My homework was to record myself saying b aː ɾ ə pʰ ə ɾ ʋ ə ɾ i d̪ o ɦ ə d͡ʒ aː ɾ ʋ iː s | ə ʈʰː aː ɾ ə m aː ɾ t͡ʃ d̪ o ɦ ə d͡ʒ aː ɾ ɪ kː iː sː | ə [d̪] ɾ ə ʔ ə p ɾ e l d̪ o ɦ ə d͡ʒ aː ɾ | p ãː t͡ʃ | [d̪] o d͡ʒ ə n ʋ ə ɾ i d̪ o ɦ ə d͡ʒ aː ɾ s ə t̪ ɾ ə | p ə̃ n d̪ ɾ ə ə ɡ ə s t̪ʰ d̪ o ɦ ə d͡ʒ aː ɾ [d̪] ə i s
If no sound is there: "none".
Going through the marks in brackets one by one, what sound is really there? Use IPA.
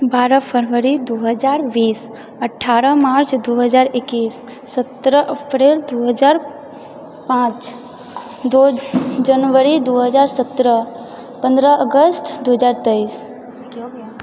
t̪, d̪, t̪

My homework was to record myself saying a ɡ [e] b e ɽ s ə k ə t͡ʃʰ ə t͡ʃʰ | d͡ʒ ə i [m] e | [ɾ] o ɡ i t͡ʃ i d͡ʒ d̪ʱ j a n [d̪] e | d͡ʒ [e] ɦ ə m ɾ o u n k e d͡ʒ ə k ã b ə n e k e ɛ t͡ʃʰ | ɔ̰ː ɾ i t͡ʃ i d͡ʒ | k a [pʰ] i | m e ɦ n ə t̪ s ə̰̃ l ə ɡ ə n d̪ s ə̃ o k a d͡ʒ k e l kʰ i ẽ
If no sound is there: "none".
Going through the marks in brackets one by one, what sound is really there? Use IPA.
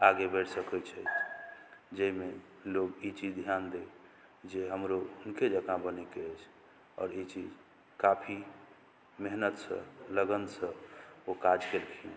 e, m, l, d̪, e, pʰ

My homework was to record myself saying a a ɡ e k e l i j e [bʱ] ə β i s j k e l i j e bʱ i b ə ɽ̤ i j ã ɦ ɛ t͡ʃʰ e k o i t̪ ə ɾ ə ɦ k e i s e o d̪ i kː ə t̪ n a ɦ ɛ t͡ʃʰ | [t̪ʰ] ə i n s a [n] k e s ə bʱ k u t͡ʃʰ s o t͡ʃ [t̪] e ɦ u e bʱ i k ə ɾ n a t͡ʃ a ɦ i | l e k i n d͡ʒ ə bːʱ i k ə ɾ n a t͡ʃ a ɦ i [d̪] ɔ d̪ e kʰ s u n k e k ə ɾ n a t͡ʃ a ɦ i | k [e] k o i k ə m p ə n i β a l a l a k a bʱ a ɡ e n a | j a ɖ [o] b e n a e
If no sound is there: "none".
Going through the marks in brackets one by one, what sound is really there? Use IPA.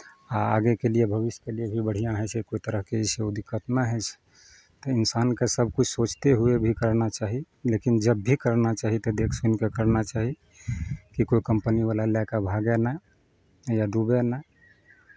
bʱ, t̪, n, t̪, t̪, i, u

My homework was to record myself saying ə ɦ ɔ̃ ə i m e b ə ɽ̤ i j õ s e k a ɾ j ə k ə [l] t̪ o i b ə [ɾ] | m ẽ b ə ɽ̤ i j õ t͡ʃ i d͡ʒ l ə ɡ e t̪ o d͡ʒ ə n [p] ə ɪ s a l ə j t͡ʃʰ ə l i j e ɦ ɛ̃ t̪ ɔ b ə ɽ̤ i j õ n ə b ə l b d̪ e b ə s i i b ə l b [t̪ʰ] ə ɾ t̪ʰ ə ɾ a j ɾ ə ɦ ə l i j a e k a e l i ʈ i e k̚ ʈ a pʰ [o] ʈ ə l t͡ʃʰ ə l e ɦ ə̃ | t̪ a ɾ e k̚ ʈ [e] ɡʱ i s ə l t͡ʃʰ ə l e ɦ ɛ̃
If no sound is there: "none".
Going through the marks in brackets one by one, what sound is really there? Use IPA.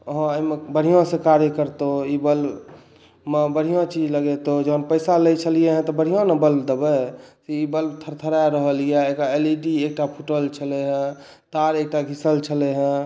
ɾ, l, p, t̪ʰ, u, a

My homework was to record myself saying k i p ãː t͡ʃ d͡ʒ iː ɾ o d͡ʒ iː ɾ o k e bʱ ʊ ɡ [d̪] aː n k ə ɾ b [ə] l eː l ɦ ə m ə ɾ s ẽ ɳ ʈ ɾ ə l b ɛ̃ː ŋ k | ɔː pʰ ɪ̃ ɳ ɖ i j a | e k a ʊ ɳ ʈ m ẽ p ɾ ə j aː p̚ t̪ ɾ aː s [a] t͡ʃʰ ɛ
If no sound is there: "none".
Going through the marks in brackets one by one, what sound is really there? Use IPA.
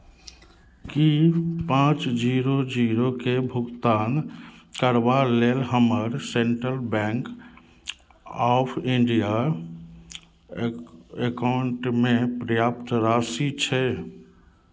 t̪, a, i

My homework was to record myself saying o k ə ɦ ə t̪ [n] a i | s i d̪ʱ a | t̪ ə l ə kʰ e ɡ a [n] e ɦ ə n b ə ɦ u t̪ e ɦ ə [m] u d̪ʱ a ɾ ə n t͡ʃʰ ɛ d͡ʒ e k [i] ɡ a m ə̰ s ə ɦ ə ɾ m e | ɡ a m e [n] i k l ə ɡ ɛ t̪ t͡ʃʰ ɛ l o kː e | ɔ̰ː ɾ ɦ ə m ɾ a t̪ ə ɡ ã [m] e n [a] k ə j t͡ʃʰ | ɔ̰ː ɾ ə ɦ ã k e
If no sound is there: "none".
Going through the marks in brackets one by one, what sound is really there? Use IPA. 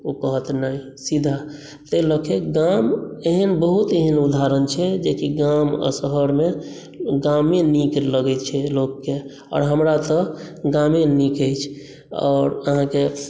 n, m, n, i, n, m, i

